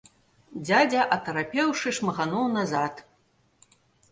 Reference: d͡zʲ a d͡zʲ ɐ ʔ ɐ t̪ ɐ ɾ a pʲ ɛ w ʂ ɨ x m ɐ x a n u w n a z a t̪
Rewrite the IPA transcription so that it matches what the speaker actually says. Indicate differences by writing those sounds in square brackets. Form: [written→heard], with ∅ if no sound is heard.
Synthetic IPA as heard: d͡zʲ a d͡zʲ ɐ ʔ ɐ t̪ ɐ ɾ a pʲ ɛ w ʂ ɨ [x→ʂ] m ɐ [x→ɣ] a n [u→ɔ] w n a z a t̪